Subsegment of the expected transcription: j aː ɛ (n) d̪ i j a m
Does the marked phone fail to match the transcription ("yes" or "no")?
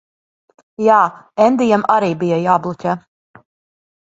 no